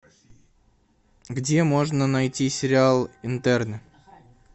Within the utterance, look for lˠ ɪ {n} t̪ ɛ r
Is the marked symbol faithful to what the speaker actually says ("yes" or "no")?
yes